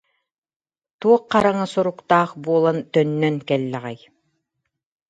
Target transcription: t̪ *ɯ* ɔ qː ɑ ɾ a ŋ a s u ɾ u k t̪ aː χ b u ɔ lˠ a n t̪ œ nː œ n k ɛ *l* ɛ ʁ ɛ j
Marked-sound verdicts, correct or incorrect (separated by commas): incorrect, incorrect